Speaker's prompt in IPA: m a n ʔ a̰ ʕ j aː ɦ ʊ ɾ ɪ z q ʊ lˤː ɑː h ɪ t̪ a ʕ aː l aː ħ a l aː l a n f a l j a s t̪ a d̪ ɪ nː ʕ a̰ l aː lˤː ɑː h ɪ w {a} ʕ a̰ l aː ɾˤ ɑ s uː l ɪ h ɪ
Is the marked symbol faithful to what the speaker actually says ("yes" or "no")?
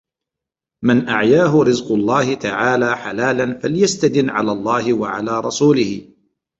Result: yes